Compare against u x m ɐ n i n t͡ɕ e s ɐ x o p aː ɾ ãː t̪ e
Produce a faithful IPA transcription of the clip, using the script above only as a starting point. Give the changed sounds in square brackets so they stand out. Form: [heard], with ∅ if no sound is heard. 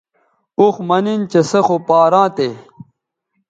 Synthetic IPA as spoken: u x m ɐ n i n t͡ɕ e s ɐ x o p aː ɾ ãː t̪ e